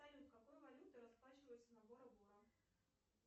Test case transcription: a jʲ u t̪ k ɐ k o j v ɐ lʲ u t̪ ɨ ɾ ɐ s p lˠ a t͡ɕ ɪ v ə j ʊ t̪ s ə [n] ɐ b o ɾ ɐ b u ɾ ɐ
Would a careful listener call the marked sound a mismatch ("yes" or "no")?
no